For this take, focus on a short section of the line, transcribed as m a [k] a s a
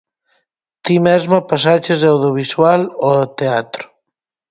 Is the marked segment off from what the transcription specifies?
yes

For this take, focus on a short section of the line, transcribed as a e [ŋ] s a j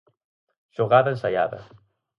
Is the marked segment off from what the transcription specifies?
yes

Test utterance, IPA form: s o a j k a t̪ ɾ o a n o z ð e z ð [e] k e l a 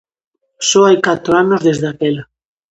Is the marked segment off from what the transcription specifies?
yes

